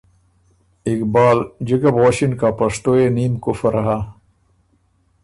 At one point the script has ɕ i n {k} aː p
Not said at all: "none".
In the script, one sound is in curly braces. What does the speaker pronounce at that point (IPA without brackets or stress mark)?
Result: k